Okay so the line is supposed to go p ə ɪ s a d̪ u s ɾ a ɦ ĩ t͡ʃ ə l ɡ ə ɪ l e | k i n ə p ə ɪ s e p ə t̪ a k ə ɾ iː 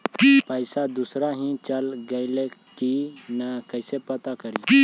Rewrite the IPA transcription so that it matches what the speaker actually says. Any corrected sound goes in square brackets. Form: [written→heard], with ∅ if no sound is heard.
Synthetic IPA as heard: p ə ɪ s a d̪ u s ɾ a ɦ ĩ t͡ʃ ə l ɡ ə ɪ l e | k i n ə [p→k] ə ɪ s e p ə t̪ a k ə ɾ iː